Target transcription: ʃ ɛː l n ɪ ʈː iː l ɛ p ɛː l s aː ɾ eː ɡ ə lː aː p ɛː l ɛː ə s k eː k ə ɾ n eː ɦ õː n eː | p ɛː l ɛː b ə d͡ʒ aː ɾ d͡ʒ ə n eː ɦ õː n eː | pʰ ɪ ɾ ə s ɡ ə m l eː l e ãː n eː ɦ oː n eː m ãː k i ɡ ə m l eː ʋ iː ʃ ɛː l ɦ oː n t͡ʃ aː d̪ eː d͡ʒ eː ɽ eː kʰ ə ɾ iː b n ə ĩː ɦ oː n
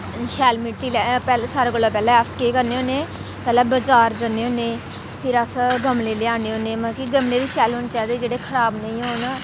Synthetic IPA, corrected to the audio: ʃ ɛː l m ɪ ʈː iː l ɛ p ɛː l s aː ɾ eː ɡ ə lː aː p ɛː l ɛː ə s k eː k ə ɾ n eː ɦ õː n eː | p ɛː l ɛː b ə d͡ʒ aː ɾ d͡ʒ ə n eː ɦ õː n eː | pʰ ɪ ɾ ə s ɡ ə m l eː l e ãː n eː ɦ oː n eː m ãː k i ɡ ə m l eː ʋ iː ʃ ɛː l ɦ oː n t͡ʃ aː d̪ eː d͡ʒ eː ɽ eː kʰ ə ɾ aː b n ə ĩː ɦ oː n

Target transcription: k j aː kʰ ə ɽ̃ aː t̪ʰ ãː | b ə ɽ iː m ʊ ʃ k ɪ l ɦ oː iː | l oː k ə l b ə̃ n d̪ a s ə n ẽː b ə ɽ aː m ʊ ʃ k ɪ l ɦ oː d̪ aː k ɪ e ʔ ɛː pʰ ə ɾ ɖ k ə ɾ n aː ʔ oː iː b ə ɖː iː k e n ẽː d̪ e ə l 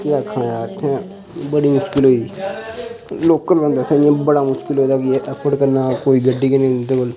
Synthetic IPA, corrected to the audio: k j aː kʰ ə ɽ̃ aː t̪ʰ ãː | b ə ɽ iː m ʊ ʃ k ɪ l ɦ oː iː | l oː k ə l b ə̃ n d̪ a s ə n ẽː b ə ɽ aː m ʊ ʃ k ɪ l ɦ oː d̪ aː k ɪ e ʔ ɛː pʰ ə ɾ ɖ k ə ɾ n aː k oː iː ɡ ə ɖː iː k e n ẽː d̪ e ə l

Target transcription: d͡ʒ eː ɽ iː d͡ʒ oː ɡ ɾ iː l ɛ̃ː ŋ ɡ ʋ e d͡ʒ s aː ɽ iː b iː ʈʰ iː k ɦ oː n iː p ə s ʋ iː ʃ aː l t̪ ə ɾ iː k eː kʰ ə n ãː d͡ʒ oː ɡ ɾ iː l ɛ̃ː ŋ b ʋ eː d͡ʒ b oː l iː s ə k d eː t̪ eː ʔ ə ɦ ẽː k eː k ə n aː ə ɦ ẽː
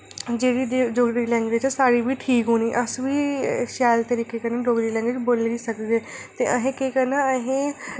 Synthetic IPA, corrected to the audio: d͡ʒ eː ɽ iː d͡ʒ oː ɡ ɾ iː l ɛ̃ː ŋ ɡ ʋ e d͡ʒ s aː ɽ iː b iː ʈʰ iː k ɦ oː n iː ʔ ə s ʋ iː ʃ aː l t̪ ə ɾ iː k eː k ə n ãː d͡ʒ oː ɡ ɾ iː l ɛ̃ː ŋ ɡ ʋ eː d͡ʒ b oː l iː s ə k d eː t̪ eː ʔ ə ɦ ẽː k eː k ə n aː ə ɦ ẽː

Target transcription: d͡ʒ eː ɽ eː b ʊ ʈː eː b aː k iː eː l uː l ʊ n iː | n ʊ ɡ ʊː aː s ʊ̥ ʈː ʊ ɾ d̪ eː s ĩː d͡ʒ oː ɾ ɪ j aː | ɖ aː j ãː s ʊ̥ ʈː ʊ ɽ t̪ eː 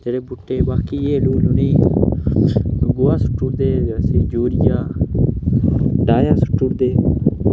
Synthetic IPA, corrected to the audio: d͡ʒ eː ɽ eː b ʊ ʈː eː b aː k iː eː l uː l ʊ n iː | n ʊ ɡ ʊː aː s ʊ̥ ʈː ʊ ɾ d̪ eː s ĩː d͡ʒ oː ɾ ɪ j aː | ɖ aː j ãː s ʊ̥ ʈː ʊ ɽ d̪ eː

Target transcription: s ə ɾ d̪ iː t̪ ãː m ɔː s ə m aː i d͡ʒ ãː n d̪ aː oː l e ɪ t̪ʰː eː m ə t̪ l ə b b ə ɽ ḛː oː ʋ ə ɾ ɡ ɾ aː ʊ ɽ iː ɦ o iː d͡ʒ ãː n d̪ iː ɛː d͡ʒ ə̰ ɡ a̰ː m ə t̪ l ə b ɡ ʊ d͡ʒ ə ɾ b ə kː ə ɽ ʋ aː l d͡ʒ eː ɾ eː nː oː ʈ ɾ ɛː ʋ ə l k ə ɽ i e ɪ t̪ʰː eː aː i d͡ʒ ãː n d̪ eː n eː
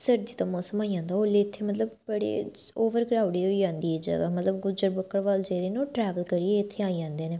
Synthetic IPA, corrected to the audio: s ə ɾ d̪ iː t̪ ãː m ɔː s ə m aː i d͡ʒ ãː n d̪ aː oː l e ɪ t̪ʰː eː m ə t̪ l ə b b ə ɽ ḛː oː ʋ ə ɾ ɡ ɾ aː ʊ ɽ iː ɦ o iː d͡ʒ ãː n d̪ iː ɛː d͡ʒ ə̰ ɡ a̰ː m ə t̪ l ə b ɡ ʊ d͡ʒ ə ɾ b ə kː ə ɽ ʋ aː l d͡ʒ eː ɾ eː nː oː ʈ ɾ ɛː ʋ ə l k ə ɾ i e ɪ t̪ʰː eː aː i d͡ʒ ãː n d̪ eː n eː

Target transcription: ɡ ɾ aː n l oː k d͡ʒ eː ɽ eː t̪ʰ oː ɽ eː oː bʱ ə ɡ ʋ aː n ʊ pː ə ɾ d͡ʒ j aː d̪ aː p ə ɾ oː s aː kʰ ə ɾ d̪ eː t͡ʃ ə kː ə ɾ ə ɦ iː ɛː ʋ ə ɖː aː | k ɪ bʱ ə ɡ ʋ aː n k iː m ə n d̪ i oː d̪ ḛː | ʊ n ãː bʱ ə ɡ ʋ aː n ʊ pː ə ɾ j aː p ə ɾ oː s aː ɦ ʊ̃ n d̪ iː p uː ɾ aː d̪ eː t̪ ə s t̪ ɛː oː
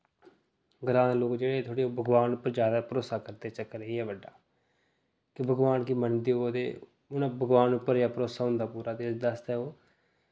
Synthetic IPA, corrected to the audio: ɡ ɾ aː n l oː k d͡ʒ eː ɽ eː t̪ʰ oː ɽ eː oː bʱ ə ɡ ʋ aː n ʊ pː ə ɾ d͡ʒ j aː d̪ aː p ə ɾ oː s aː k ə ɾ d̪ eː t͡ʃ ə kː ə ɾ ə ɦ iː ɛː ʋ ə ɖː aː | k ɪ bʱ ə ɡ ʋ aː n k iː m ə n d̪ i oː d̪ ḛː | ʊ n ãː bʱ ə ɡ ʋ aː n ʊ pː ə ɾ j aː p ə ɾ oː s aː ɦ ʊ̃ n d̪ aː p uː ɾ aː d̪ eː d̪ ə s t̪ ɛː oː

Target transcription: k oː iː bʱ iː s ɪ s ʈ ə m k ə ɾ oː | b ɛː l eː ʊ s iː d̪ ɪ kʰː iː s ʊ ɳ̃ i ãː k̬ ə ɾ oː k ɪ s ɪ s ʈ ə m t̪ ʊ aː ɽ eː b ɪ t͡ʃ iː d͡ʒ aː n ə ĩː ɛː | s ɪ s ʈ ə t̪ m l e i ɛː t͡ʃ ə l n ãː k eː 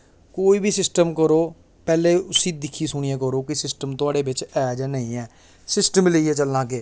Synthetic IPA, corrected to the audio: k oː iː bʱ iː s ɪ s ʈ ə m k ə ɾ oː | p ɛː l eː ʊ s iː d̪ ɪ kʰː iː s ʊ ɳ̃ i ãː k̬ ə ɾ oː k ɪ s ɪ s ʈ ə m t̪ ʊ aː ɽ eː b ɪ t͡ʃ ɛː d͡ʒ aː n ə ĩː ɛː | s ɪ s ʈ ə m l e i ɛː t͡ʃ ə l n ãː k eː

